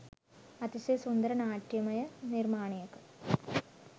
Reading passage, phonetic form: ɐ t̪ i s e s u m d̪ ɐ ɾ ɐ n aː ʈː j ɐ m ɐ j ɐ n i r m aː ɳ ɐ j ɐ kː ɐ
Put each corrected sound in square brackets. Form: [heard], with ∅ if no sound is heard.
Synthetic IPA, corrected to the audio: ɐ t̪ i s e s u [n] d̪ ɐ ɾ ɐ n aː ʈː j ɐ m ɐ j ɐ n i r m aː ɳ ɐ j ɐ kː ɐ